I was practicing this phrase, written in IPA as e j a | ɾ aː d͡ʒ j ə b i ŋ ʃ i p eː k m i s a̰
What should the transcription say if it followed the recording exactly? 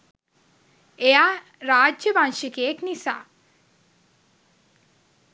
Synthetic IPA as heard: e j a | ɾ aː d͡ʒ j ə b a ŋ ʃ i k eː k n i s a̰